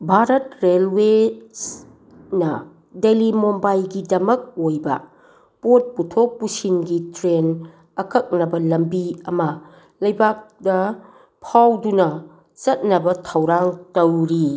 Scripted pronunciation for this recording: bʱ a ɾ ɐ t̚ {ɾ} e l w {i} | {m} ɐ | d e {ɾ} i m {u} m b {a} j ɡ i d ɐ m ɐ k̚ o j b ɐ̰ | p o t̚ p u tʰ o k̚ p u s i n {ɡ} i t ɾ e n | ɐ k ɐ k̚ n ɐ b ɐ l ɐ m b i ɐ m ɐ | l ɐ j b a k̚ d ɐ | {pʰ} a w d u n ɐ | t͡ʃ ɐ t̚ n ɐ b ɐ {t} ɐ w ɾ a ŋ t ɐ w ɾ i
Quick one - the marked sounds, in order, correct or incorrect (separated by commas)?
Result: correct, incorrect, incorrect, incorrect, incorrect, correct, correct, correct, incorrect